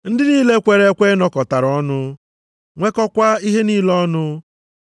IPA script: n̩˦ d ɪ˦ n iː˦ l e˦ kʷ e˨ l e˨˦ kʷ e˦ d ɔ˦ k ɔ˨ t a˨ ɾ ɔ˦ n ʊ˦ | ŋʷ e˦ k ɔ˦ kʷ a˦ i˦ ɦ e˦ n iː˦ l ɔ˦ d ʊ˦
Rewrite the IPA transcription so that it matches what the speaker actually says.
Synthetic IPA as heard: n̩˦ d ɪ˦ n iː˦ l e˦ kʷ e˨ ɾ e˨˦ kʷ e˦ n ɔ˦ k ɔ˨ t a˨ ɾ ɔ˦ n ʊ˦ | ŋʷ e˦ k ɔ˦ kʷ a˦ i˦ ɦ e˦ n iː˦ l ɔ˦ n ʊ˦